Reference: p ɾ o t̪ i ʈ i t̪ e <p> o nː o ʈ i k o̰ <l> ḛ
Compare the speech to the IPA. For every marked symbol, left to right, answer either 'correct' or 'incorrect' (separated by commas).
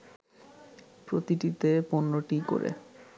correct, incorrect